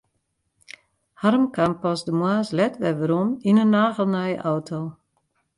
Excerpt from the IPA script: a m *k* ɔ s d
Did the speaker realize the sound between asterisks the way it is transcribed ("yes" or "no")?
no